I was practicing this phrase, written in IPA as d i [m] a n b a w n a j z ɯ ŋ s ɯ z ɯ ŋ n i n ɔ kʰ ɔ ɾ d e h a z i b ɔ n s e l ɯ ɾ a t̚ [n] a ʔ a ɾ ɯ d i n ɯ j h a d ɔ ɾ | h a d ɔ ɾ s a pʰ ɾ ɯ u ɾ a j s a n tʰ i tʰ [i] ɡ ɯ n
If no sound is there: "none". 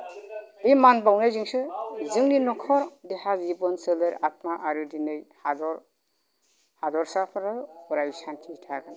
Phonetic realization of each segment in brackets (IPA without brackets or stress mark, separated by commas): m, m, a